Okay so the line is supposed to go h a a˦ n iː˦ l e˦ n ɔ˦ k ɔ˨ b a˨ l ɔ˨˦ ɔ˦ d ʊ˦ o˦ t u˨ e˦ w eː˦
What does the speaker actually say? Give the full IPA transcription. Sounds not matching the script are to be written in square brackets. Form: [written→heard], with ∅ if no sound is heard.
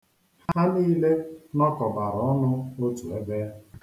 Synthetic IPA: h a a˦ n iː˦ l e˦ n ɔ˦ k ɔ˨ b a˨ [l→ɾ] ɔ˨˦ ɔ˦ [d→n] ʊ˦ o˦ t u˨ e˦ [w→b] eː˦